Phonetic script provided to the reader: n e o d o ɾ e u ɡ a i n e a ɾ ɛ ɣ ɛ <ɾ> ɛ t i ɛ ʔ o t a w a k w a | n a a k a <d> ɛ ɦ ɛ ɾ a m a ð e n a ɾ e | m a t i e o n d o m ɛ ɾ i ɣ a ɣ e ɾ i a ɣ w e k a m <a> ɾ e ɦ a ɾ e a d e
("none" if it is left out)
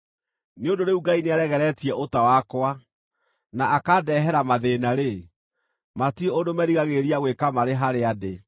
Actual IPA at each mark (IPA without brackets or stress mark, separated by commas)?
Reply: ɾ, d, a